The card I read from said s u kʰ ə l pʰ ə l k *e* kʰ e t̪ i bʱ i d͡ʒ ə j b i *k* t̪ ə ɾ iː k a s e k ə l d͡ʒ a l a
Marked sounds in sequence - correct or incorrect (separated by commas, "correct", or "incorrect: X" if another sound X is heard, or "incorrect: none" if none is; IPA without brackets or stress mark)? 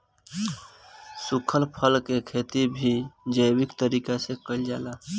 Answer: correct, correct